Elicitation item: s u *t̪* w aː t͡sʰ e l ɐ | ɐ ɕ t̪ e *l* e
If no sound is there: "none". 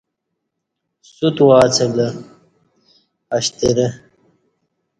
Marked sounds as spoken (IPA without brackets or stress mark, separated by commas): t̪, ɾ